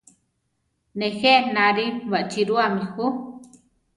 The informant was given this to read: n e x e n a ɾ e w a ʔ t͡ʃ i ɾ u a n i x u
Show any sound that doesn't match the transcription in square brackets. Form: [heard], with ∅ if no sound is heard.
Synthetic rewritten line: n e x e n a ɾ [i] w a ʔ t͡ʃ i ɾ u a [m] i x u